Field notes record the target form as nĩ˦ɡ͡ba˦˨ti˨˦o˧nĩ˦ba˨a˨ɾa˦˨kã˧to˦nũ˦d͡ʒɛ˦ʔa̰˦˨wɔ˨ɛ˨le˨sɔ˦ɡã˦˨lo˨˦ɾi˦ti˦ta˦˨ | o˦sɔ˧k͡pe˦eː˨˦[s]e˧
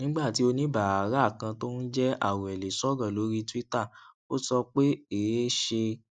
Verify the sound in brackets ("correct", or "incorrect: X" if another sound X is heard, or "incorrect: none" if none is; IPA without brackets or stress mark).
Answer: incorrect: ʃ